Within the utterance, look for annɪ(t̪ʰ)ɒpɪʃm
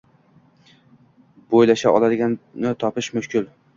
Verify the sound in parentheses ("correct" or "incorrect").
correct